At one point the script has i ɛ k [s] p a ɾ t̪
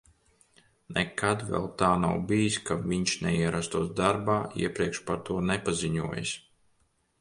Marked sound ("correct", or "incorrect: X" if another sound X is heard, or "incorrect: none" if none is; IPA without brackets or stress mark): incorrect: ʃ